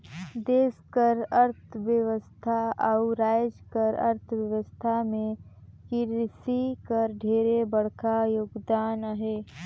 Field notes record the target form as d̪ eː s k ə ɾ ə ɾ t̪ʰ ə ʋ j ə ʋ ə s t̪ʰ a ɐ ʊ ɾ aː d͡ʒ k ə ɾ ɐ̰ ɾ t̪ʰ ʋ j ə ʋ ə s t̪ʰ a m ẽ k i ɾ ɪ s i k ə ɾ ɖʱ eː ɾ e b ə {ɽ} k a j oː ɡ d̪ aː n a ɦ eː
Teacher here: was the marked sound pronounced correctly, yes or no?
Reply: yes